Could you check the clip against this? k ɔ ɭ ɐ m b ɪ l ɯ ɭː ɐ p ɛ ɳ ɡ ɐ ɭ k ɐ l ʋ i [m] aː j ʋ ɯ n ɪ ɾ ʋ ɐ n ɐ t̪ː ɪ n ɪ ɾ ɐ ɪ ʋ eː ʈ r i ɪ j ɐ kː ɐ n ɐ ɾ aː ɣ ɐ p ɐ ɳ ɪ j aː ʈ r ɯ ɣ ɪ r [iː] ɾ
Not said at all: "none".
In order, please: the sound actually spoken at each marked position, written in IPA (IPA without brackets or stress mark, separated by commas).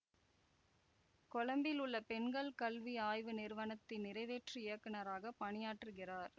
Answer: none, aː